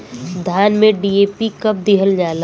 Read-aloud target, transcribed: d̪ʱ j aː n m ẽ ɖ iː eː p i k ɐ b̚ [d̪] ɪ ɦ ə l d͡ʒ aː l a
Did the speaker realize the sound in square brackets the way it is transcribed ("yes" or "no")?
yes